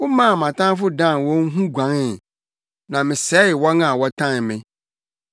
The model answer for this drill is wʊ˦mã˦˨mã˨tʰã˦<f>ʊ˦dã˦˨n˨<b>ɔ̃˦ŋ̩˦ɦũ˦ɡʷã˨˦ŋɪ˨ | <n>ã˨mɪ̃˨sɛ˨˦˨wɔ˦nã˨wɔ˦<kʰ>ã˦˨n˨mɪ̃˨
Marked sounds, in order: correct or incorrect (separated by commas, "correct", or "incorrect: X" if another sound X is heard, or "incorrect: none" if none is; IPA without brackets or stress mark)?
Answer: correct, incorrect: w, correct, incorrect: tʰ